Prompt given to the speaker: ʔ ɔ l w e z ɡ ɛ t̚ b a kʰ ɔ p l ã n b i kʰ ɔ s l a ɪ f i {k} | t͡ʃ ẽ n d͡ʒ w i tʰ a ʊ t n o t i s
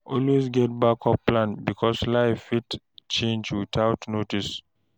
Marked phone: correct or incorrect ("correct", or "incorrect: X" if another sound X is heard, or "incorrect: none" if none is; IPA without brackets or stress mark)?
incorrect: t